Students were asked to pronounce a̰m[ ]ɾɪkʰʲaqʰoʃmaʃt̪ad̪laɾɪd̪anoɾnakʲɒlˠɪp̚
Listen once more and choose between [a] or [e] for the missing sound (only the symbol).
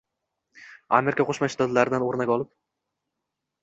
e